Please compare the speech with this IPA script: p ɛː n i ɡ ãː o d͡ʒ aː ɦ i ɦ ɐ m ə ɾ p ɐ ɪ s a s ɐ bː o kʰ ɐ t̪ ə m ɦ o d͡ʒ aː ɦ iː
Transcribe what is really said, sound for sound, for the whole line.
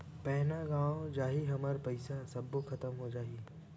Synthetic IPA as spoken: p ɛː n a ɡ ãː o d͡ʒ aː ɦ i ɦ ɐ m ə ɾ p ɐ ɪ s a s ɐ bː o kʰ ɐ t̪ ə m ɦ o d͡ʒ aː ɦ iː